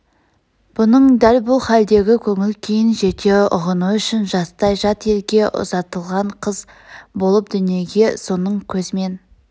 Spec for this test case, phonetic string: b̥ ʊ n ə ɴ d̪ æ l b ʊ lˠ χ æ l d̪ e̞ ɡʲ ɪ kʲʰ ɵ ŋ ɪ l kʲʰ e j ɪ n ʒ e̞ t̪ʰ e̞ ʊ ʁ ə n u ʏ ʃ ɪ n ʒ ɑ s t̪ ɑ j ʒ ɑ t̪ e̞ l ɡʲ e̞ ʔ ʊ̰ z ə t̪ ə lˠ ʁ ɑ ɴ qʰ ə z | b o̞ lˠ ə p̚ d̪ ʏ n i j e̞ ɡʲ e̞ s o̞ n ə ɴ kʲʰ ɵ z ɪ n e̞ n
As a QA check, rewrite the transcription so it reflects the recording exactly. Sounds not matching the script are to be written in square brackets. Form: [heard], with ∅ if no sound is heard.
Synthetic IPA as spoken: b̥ ʊ n ə ɴ d̪ æ l b ʊ lˠ χ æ l d̪ e̞ ɡʲ ɪ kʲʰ ɵ ŋ ɪ l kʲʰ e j ɪ n ʒ e̞ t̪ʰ e̞ ʊ ʁ ə n u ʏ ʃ ɪ n ʒ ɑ s t̪ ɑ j ʒ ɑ t̪ e̞ l ɡʲ e̞ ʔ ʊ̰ z [ɑ] t̪ ə lˠ ʁ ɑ ɴ qʰ ə z | b o̞ lˠ ə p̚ d̪ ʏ n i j e̞ ɡʲ e̞ s o̞ n ə ɴ kʲʰ ɵ z ɪ [m] e̞ n

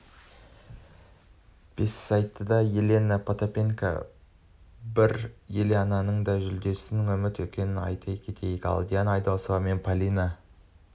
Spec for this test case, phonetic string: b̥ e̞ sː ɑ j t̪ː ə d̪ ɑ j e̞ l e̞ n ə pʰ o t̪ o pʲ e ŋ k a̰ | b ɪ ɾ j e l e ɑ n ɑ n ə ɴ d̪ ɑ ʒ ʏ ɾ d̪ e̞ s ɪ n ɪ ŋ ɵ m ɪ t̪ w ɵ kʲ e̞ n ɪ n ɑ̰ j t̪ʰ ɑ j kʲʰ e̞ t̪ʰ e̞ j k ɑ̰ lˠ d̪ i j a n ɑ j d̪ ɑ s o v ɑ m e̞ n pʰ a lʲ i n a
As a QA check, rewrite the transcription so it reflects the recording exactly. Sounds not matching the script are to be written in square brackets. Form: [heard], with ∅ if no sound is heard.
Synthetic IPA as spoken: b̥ e̞ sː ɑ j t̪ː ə d̪ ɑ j e̞ l e̞ n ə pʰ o t̪ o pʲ e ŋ k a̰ | b ɪ ɾ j e l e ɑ n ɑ n ə ɴ d̪ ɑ ʒ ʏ [l] d̪ e̞ s ɪ n ɪ ŋ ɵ m ɪ t̪ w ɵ kʲ e̞ n ɪ n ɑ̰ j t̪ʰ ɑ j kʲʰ e̞ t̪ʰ e̞ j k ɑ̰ lˠ d̪ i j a n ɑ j d̪ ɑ s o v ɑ m e̞ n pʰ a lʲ i n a

